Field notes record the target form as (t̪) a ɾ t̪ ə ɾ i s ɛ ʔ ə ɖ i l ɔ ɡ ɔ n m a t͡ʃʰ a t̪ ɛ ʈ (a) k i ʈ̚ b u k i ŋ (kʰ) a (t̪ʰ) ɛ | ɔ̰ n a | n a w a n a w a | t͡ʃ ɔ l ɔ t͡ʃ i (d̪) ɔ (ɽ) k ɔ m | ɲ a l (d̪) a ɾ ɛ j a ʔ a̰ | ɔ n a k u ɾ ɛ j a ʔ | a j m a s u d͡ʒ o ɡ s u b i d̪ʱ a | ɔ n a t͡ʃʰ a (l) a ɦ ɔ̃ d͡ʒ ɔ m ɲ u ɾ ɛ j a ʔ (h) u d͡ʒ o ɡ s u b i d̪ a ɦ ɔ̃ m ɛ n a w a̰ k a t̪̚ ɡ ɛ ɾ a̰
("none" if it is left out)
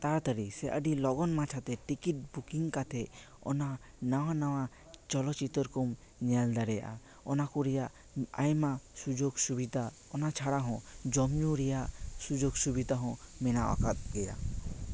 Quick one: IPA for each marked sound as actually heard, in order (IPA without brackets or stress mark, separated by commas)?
t̪, i, k, t̪ʰ, t̪, ɾ, d̪, ɽ, s